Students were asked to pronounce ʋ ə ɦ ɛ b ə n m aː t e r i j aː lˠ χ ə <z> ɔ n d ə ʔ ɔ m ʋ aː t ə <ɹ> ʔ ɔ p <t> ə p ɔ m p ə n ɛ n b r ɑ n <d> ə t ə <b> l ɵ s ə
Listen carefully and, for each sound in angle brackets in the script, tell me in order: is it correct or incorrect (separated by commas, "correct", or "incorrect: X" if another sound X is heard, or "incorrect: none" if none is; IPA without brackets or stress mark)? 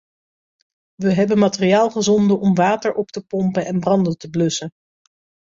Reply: correct, correct, correct, correct, correct